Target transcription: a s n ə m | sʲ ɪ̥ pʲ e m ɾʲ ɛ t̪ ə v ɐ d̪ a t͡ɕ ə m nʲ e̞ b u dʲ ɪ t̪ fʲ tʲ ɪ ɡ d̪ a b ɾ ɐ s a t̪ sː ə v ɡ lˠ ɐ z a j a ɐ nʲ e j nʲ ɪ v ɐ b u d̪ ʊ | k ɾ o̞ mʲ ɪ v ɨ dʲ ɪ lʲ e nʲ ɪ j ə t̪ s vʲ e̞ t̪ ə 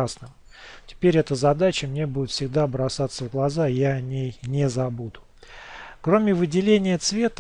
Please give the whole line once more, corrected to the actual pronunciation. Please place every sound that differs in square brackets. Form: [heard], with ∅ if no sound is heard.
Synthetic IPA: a s n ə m | [tʲ] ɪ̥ pʲ e [∅] ɾʲ ɛ t̪ ə [z] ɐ d̪ a t͡ɕ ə m nʲ e̞ b u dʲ ɪ t̪ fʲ [sʲ] ɪ ɡ d̪ a b ɾ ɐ s a t̪ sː ə v ɡ lˠ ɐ z a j a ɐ nʲ e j nʲ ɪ [z] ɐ b u d̪ ʊ | k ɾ o̞ mʲ ɪ v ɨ dʲ ɪ lʲ e nʲ ɪ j ə t̪ s vʲ e̞ t̪ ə